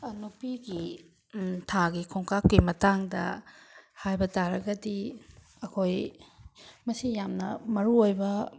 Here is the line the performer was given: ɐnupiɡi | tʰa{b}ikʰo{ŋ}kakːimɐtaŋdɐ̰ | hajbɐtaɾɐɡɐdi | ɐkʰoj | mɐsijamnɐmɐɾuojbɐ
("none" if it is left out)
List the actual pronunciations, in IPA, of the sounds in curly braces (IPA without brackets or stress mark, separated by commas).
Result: ɡ, ŋ